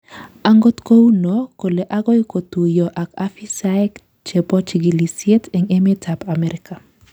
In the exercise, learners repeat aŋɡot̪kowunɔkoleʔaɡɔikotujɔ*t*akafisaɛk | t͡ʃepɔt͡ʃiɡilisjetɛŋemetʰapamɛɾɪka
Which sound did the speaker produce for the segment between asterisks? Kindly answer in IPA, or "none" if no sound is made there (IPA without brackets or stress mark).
ʔ